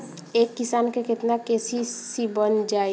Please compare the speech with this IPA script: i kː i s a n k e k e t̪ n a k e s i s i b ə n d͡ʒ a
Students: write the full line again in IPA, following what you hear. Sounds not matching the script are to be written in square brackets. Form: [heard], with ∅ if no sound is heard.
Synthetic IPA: [e] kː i s a n k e k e t̪ n a k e s i s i b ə n d͡ʒ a